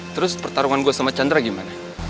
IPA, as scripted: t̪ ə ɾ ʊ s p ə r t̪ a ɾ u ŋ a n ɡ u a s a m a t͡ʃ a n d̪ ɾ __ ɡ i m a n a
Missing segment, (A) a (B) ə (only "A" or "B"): A